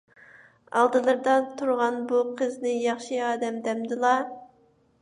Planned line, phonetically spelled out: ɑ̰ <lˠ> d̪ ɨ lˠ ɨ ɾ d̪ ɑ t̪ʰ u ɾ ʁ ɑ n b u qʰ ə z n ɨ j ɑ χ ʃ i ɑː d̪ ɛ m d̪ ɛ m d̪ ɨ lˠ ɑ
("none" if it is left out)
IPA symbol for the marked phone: lˠ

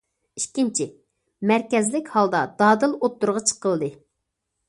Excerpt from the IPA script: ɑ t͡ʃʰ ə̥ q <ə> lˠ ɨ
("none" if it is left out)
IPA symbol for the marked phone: ə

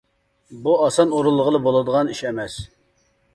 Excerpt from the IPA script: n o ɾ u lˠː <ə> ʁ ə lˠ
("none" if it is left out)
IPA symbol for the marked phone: ə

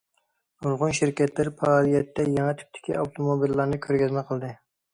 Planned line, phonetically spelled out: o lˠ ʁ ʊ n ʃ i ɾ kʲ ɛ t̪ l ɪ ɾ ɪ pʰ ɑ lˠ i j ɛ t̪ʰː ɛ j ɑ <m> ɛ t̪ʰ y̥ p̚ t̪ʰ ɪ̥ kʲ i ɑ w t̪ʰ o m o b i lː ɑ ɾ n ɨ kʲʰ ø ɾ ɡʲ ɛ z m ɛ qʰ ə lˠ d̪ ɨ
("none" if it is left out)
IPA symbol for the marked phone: ŋ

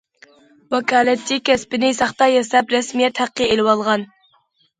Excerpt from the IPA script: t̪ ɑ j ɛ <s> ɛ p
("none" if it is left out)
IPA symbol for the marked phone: s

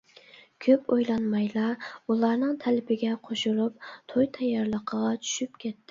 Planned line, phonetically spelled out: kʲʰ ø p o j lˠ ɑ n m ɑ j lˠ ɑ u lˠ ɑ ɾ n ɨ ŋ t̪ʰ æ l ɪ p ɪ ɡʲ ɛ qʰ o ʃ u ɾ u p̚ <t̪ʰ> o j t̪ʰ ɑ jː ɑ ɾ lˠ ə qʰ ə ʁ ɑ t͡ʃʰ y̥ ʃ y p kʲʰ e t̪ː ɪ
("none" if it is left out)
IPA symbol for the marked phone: t̪ʰ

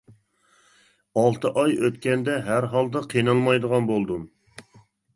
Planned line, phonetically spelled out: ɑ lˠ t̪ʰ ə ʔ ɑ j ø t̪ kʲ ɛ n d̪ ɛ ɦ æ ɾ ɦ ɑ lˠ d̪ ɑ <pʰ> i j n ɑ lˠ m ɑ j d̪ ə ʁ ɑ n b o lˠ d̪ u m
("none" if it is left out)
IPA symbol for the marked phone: qʰ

